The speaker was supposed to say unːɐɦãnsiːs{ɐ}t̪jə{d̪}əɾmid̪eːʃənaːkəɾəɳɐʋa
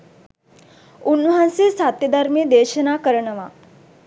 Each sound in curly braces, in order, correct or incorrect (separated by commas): incorrect, correct